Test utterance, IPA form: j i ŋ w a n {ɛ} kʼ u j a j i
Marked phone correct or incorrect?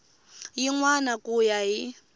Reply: incorrect